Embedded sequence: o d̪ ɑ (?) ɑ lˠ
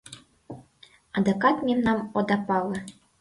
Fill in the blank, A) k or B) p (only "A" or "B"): B